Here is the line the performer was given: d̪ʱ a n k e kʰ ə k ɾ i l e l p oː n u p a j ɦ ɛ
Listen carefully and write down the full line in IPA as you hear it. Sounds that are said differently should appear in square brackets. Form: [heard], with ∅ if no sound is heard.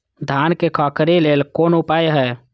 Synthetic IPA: d̪ʱ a n k e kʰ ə k ɾ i l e l [k] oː n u p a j ɦ ɛ